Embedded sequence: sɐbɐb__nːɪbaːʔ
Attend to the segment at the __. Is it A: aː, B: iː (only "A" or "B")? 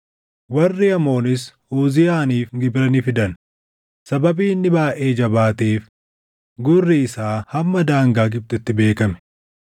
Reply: B